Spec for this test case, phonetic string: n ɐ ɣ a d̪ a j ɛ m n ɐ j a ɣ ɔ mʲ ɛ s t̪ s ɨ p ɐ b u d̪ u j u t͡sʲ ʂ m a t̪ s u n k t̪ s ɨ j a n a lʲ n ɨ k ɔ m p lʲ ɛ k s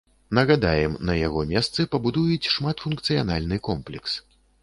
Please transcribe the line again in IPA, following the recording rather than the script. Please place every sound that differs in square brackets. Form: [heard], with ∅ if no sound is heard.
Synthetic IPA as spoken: n ɐ ɣ a d̪ a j ɛ m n ɐ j a ɣ ɔ mʲ ɛ s t̪ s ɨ p ɐ b u d̪ u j u t͡sʲ ʂ m a t̪ [f] u n k t̪ s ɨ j a n a lʲ n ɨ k ɔ m p lʲ ɛ k s